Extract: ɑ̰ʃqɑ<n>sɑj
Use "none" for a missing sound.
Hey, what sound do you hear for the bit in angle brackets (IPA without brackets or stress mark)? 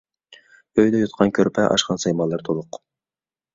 n